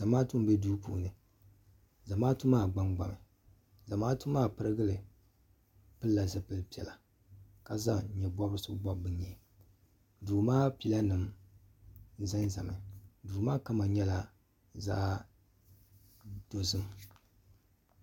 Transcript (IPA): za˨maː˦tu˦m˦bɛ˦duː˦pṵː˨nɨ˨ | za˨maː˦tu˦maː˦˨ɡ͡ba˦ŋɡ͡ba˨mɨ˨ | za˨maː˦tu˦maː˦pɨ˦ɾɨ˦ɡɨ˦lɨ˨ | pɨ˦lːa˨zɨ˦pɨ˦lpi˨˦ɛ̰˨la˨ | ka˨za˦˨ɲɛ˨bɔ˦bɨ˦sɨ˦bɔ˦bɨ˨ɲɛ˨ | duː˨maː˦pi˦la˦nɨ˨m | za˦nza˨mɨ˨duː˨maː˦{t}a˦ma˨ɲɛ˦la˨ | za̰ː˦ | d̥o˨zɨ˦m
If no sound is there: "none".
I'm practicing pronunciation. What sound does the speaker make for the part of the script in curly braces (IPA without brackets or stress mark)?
k